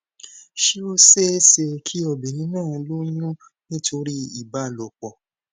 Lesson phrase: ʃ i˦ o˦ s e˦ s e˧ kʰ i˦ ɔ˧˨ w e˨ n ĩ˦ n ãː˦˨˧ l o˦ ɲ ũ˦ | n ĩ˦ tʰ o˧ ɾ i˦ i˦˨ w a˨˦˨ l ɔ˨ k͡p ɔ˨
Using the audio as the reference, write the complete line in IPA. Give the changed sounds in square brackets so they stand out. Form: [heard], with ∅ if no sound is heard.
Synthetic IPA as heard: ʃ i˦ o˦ s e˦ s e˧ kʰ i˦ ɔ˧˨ [b] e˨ n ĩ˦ n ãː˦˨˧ l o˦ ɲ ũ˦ | n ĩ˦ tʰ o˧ ɾ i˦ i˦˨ [b] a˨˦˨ l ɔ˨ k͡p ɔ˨